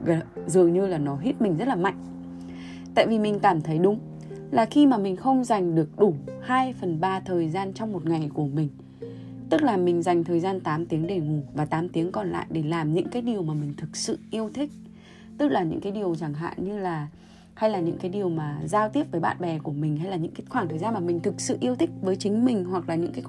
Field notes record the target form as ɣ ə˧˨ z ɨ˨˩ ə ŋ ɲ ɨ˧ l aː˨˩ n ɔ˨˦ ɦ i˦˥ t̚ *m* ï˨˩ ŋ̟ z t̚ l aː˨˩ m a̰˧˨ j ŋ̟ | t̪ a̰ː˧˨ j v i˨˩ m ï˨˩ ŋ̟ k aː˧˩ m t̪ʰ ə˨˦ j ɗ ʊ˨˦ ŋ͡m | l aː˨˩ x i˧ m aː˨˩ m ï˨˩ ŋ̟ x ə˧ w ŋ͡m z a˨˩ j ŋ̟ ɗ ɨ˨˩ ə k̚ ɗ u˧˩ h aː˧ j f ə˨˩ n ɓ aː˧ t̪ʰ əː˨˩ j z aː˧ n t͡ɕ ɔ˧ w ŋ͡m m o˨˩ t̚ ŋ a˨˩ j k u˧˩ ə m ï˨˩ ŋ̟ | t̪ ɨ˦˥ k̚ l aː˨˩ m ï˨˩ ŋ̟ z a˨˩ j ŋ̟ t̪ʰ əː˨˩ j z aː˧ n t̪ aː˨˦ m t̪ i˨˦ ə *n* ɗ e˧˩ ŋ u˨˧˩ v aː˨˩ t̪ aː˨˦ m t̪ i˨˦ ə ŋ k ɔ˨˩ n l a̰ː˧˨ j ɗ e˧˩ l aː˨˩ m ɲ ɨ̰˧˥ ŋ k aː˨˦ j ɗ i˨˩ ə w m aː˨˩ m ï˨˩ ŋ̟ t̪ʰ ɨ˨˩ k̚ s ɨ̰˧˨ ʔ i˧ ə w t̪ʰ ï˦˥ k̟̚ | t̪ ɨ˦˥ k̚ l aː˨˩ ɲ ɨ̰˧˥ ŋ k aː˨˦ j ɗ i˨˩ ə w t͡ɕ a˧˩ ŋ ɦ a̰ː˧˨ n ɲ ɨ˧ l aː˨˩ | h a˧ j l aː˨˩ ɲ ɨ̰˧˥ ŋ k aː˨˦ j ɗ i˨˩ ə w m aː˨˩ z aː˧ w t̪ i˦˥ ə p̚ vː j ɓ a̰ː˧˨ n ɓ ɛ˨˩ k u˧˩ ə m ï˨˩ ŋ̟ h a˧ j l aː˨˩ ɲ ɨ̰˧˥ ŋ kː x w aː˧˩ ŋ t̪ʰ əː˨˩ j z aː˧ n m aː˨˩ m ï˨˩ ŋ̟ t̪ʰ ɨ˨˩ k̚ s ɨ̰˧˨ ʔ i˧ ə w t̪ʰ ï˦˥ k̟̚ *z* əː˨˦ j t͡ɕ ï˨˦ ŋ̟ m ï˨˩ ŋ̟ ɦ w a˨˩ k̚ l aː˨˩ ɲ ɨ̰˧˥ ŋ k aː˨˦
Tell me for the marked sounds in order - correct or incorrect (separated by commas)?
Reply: correct, incorrect, incorrect